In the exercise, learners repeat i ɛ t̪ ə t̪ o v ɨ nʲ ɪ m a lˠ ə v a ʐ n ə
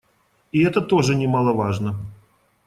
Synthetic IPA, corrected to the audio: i ɛ t̪ ə t̪ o ʐ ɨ nʲ ɪ m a lˠ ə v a ʐ n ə